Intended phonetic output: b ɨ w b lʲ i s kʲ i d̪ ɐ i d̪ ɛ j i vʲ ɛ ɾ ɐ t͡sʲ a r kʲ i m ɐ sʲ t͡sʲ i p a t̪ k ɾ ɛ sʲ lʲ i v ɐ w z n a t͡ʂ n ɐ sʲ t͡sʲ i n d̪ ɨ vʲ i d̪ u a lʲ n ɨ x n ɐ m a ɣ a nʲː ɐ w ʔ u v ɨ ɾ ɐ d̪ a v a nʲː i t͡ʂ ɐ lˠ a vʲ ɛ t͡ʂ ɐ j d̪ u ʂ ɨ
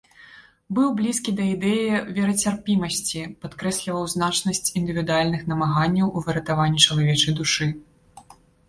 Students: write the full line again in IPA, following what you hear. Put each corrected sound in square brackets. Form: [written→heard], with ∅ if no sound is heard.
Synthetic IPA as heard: b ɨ w b lʲ i s kʲ i d̪ ɐ i d̪ ɛ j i vʲ ɛ ɾ ɐ t͡sʲ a r [kʲ→pʲ] i m ɐ sʲ t͡sʲ i p a t̪ k ɾ ɛ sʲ lʲ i v ɐ w z n a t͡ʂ n ɐ sʲ t͡sʲ i n d̪ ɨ vʲ i d̪ u a lʲ n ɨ x n ɐ m a ɣ a nʲː ɐ w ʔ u v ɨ ɾ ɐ [d̪→t̪] a v a nʲː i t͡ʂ ɐ lˠ a vʲ ɛ t͡ʂ ɐ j d̪ u ʂ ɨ